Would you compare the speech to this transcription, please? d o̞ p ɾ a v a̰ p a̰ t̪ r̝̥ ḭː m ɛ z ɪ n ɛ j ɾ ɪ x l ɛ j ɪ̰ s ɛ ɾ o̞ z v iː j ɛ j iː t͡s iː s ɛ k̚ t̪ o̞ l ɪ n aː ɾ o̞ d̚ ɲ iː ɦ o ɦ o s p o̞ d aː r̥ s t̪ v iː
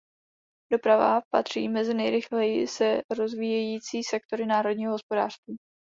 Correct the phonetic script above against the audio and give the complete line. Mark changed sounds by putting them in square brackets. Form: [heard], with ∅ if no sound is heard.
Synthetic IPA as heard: d o̞ p ɾ a v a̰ p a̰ t̪ r̝̥ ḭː m ɛ z ɪ n ɛ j ɾ ɪ x l ɛ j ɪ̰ s ɛ ɾ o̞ z v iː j ɛ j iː t͡s iː s ɛ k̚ t̪ o̞ [ɾ] ɪ n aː ɾ o̞ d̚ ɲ iː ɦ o ɦ o s p o̞ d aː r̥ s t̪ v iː

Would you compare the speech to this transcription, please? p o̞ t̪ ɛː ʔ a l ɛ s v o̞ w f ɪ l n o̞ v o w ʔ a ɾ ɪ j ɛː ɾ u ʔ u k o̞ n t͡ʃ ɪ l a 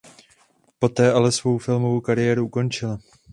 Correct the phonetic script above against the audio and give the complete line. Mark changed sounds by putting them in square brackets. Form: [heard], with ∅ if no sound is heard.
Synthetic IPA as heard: p o̞ t̪ ɛː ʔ a l ɛ s v o̞ w f ɪ l [m] o̞ v o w [k] a ɾ ɪ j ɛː ɾ u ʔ u k o̞ n t͡ʃ ɪ l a

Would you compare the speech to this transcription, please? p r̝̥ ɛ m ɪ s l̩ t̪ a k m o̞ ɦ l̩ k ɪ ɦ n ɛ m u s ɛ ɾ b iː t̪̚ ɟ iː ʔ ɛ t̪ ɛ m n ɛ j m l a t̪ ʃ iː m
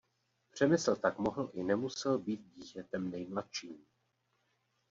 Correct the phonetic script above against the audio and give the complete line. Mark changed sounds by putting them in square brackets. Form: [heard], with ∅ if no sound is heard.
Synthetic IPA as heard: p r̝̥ ɛ m ɪ s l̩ t̪ a k m o̞ ɦ l̩ [ʔ] ɪ [∅] n ɛ m u s ɛ [l] b iː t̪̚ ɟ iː [c] ɛ t̪ ɛ m n ɛ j m l a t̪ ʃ iː m

